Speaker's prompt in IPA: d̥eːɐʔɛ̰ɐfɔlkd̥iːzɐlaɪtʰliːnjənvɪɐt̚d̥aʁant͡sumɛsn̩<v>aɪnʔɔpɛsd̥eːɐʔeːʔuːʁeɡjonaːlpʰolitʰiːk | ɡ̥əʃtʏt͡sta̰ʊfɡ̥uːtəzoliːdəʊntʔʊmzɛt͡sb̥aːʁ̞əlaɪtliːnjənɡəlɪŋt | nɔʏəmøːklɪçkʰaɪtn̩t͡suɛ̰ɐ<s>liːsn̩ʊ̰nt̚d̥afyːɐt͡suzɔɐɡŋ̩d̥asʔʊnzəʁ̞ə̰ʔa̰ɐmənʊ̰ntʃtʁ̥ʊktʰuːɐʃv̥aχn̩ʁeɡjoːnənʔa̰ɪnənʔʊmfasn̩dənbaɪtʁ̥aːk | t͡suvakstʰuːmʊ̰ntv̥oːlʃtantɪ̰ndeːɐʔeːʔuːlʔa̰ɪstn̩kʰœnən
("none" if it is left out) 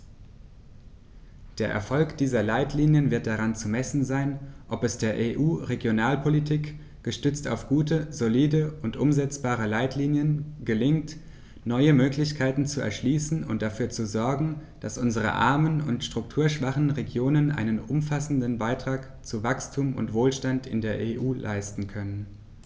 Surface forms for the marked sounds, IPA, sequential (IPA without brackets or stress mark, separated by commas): z, ʃ